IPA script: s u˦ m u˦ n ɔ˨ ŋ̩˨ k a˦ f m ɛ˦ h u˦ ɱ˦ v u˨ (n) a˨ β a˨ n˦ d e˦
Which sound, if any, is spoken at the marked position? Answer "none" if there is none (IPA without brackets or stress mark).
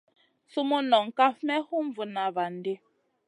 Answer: n